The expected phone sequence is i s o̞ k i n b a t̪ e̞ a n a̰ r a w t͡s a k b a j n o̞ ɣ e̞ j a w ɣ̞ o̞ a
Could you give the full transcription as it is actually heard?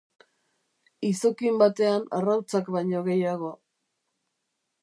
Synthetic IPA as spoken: i s o̞ k i m b a t̪ e̞ a n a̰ r a w t͡s a k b a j ɲ o̞ ɣ e̞ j a ɣ̞ o̞ a